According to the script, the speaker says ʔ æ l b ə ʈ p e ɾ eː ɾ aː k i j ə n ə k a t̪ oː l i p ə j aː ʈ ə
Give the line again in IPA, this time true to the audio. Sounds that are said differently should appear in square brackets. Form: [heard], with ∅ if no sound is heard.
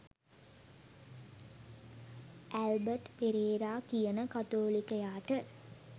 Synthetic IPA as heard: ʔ æ l b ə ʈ p e ɾ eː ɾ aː k i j ə n ə k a t̪ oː l i [k] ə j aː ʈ ə